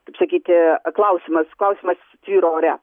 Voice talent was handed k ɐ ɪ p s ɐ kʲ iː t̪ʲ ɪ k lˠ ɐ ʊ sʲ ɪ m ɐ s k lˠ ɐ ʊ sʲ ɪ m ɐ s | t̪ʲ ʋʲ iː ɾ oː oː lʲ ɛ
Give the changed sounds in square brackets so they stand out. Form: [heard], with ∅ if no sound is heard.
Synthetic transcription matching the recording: k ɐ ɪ p s ɐ kʲ iː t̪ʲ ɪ k lˠ ɐ ʊ sʲ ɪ m ɐ s k lˠ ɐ ʊ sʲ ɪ m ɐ s | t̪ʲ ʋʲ iː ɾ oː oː [ɾʲ] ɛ